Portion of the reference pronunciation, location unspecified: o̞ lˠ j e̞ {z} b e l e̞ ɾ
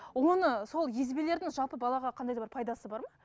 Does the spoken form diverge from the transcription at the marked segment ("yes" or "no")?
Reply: no